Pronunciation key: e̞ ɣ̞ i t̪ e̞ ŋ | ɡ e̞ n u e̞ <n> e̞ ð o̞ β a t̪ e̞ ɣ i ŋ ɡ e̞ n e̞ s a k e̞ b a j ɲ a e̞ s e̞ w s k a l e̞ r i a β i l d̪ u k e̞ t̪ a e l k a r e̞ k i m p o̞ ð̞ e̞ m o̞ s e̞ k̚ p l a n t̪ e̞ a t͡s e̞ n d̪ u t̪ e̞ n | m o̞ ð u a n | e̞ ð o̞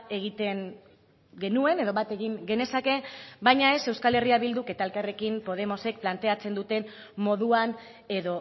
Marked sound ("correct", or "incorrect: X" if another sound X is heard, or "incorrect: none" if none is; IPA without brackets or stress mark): correct